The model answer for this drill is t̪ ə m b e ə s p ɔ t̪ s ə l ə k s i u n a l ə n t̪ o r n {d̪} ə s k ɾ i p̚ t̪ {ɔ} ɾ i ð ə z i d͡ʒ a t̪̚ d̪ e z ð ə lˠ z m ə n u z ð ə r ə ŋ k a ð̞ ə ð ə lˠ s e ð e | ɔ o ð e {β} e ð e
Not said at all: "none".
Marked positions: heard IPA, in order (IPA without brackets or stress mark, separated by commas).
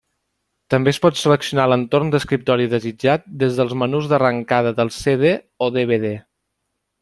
d̪, ɔ, β